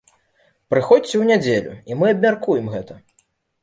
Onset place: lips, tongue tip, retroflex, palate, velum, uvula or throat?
lips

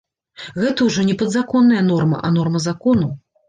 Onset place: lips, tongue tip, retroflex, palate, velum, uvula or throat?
velum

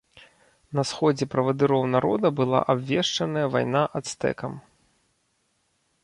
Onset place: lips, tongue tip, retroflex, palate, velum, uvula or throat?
tongue tip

